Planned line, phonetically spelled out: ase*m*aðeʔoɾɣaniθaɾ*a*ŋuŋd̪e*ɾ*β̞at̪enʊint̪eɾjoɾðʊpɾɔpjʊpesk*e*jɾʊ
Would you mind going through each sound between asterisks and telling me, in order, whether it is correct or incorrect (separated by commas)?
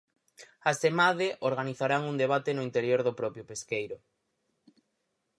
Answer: correct, correct, incorrect, correct